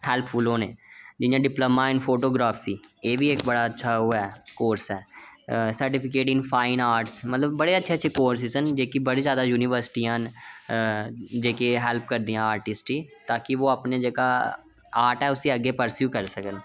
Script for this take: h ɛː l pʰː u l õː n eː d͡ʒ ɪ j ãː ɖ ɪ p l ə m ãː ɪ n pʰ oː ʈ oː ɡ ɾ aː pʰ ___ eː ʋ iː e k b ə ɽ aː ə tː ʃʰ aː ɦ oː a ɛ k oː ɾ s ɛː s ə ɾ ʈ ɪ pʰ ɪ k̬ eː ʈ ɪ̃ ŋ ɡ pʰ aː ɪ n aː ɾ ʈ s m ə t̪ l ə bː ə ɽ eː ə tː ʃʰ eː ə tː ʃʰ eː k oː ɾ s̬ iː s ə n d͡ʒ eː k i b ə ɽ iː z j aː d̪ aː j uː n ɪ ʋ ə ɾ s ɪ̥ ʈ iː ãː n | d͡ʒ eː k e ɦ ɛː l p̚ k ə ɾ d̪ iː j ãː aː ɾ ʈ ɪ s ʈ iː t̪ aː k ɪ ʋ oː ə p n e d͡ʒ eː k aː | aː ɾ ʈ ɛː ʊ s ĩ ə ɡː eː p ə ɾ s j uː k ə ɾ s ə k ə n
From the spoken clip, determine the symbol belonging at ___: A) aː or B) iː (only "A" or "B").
B